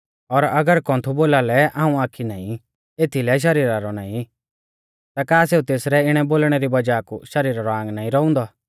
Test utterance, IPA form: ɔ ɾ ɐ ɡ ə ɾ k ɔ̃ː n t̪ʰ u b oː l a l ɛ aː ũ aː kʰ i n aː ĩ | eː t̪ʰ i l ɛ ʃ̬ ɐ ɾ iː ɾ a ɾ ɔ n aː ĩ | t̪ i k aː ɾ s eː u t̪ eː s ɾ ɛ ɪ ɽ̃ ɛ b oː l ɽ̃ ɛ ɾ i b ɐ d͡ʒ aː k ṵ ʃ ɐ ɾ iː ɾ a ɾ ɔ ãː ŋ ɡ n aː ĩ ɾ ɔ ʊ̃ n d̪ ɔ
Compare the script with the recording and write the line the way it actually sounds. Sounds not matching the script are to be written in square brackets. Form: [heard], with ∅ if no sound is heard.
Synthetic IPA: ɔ ɾ ɐ ɡ ə ɾ k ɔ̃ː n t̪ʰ u b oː l a l ɛ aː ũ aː kʰ i n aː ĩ | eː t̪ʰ i l ɛ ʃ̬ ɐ ɾ iː ɾ a ɾ ɔ n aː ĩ | t̪ [a] k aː [∅] s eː u t̪ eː s ɾ ɛ ɪ ɽ̃ ɛ b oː l ɽ̃ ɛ ɾ i b ɐ d͡ʒ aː k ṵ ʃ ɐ ɾ iː ɾ a ɾ ɔ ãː ŋ ɡ n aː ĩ ɾ ɔ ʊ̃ n d̪ ɔ